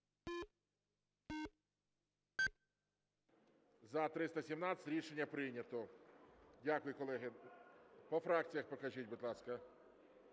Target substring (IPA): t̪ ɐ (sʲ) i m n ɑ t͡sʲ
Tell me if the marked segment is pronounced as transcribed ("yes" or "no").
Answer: yes